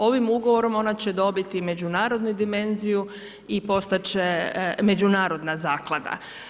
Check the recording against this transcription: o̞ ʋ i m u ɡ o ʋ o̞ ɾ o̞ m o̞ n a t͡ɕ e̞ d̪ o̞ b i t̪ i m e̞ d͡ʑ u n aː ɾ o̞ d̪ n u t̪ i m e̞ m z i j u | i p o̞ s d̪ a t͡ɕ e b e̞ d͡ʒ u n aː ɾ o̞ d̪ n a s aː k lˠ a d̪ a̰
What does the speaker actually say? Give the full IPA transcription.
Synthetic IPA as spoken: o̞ ʋ i m u ɡ o ʋ o̞ ɾ o̞ m o̞ n a t͡ɕ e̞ d̪ o̞ b i t̪ i m e̞ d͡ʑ u n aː ɾ o̞ d̪ n u d̪ i m e̞ n z i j u | i p o̞ s t̪ a t͡ɕ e m e̞ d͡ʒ u n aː ɾ o̞ d̪ n a z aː k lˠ a d̪ a̰